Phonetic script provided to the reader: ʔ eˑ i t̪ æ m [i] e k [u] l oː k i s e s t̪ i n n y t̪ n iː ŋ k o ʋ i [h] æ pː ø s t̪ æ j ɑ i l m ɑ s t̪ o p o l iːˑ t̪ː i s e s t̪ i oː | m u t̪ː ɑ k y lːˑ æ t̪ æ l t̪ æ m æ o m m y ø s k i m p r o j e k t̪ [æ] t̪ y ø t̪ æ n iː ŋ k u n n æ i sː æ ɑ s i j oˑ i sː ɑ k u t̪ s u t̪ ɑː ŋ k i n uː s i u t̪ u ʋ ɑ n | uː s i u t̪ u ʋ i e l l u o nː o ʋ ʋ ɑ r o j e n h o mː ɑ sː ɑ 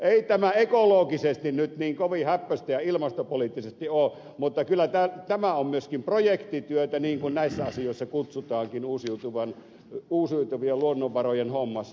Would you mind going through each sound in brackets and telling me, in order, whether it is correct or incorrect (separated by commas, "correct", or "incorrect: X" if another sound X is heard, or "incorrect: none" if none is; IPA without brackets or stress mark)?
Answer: incorrect: æ, incorrect: o, correct, incorrect: i